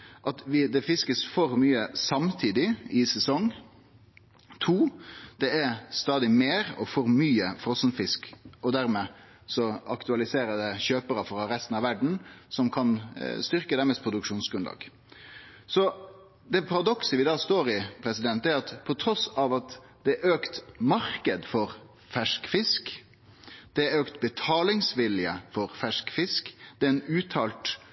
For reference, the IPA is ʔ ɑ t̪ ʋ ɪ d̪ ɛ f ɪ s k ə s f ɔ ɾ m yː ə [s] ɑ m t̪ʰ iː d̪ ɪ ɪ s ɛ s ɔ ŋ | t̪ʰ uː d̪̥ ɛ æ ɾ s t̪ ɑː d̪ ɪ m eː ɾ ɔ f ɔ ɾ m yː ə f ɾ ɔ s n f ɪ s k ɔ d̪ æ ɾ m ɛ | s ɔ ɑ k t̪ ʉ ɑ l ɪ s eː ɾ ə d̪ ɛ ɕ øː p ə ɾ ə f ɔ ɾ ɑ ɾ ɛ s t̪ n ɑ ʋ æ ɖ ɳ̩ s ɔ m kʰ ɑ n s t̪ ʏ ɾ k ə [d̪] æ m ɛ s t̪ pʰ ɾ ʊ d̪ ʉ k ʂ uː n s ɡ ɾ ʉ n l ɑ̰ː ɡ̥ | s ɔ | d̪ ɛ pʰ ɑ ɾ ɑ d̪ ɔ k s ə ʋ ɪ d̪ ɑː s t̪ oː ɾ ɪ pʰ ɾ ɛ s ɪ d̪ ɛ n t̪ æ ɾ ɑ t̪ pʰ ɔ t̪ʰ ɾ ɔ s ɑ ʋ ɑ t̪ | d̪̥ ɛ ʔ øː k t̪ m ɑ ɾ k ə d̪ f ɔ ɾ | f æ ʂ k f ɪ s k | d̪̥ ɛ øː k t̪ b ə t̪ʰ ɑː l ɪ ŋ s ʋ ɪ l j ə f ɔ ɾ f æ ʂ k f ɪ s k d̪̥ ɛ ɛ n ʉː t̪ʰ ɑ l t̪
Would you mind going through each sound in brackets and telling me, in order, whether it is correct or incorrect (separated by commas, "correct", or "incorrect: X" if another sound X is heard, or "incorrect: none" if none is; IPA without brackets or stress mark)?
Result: correct, correct